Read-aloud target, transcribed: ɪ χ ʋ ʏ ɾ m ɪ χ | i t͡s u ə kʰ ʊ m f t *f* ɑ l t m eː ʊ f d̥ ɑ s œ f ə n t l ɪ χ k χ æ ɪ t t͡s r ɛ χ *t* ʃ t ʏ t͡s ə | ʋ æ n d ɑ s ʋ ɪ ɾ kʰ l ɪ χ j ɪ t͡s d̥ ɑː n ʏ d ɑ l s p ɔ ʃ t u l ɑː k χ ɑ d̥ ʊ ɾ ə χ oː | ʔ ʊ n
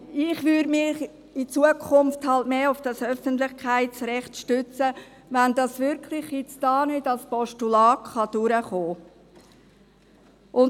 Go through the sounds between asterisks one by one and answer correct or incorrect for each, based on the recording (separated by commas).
incorrect, correct